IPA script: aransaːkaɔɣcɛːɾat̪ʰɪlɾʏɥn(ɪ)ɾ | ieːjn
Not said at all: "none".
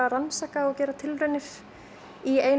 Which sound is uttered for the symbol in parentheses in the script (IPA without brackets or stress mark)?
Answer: ɪ